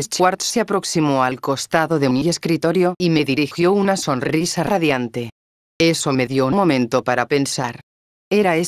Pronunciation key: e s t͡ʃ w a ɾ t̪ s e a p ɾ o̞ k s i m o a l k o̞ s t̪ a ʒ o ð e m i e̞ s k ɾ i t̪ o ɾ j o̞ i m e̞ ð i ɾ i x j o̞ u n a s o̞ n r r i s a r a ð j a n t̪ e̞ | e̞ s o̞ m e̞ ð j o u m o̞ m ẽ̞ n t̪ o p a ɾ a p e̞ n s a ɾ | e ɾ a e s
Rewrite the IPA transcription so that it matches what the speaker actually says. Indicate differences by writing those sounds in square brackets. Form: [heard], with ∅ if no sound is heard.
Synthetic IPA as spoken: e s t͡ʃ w a ɾ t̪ s e a p ɾ o̞ k s i m o a l k o̞ s t̪ a [ð] o ð e m i e̞ s k ɾ i t̪ o ɾ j o̞ i m e̞ ð i ɾ i x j o̞ u n a s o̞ n r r i s a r a ð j a n t̪ e̞ | e̞ s o̞ m e̞ ð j o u m o̞ m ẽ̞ n t̪ o p a ɾ a p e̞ n s a ɾ | e ɾ a e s